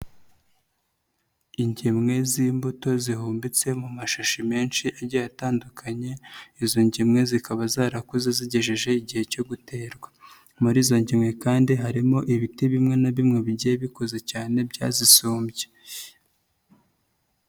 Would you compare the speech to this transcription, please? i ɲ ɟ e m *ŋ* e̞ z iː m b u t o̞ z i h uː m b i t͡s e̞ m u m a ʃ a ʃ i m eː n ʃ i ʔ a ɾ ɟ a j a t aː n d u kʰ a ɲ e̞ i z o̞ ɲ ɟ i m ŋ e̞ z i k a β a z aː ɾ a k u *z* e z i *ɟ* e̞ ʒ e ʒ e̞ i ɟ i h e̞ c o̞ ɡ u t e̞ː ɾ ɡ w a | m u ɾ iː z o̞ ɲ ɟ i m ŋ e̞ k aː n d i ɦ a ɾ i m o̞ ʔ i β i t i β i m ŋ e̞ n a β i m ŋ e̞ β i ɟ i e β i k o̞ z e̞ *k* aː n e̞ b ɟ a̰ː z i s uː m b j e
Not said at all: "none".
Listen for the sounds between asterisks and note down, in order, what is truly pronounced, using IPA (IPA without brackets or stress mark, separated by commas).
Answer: ŋ, z, ɟ, c